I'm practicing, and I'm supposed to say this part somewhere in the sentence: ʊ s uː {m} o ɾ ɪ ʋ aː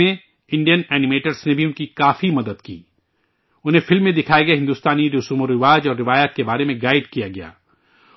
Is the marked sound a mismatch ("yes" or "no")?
no